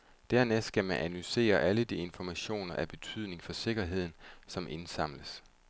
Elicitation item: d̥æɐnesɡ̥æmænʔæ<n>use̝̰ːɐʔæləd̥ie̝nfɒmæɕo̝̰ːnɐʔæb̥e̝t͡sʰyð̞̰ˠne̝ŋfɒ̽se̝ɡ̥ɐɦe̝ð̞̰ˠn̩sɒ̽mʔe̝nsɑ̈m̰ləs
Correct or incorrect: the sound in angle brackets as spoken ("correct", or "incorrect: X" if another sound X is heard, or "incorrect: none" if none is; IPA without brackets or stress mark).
correct